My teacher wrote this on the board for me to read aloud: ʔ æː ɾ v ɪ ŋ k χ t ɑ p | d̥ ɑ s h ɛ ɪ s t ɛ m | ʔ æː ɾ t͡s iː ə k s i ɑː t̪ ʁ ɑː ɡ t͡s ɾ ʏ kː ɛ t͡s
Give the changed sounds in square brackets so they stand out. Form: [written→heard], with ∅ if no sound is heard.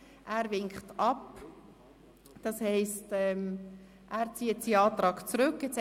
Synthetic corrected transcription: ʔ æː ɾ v ɪ ŋ k χ t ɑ p | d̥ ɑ s h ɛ ɪ s t ɛ m | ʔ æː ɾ t͡s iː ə [k→t] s i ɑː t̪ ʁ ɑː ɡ t͡s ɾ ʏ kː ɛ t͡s